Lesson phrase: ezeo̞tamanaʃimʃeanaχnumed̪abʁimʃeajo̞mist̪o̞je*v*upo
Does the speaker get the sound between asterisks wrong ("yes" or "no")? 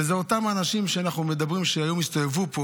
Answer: no